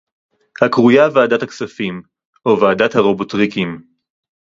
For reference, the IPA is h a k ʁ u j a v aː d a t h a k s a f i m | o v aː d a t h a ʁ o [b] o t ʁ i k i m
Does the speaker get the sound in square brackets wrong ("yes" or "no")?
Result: no